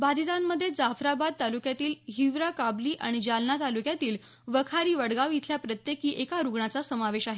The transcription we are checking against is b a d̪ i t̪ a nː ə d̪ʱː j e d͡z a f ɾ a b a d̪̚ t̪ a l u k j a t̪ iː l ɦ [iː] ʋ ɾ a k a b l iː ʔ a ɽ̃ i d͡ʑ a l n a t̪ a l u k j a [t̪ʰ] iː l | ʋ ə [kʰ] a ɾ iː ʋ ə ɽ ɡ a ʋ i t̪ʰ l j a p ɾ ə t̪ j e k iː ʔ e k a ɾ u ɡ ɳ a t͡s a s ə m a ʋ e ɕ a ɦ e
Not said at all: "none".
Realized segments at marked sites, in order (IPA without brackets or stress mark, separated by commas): i, t̪, kʰ